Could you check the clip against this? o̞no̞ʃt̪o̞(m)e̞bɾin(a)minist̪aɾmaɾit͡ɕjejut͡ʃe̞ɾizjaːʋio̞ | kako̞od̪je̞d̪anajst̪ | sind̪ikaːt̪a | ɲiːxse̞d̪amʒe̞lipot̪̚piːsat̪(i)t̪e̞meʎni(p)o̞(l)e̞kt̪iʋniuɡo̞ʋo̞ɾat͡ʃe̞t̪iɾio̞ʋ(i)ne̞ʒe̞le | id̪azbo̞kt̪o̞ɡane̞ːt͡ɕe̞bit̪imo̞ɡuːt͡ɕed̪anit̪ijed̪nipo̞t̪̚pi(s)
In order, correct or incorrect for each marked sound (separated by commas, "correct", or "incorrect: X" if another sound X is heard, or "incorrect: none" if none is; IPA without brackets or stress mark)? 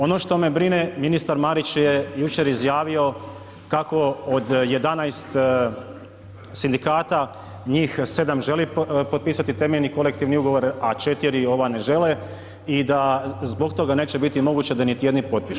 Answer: correct, incorrect: e, correct, incorrect: k, correct, incorrect: a, incorrect: ʃ